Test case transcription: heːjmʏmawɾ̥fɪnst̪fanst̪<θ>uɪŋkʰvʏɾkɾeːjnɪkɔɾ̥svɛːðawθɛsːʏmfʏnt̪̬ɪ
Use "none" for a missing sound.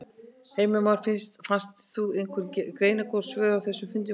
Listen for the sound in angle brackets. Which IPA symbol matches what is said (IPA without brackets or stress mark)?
θ